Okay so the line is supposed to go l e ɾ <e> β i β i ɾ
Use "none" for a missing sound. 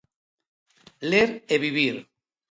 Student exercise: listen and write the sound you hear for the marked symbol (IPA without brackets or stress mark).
e